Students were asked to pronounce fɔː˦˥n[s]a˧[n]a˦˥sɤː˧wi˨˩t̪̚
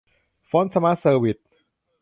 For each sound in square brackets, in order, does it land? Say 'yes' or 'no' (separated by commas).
yes, no